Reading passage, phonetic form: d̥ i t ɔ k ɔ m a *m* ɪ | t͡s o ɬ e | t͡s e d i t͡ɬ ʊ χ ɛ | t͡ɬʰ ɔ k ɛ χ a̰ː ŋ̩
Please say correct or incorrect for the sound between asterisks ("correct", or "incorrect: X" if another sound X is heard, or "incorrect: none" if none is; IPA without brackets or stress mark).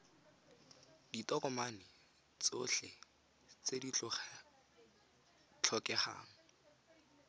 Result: incorrect: n